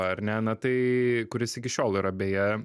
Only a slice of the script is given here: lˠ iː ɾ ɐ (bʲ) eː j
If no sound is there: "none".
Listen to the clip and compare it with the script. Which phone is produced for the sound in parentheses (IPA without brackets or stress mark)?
bʲ